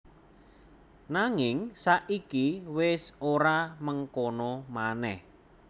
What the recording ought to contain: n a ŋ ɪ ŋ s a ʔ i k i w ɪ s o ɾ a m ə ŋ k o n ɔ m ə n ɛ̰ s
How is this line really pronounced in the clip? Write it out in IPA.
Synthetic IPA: n a ŋ ɪ ŋ s a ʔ i k i w ɪ s o ɾ a m ə ŋ k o n ɔ m a n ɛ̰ h